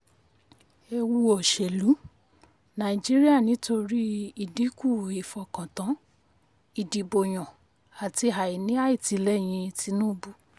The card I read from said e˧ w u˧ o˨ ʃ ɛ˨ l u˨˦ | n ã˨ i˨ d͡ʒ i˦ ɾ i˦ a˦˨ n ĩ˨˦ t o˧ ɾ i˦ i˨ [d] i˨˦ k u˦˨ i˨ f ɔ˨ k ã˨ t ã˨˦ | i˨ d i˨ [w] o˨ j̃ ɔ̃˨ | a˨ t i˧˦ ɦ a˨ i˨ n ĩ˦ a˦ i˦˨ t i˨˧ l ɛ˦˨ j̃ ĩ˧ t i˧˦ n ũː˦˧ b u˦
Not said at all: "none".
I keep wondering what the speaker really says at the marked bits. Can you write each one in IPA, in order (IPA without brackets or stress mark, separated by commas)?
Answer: d, b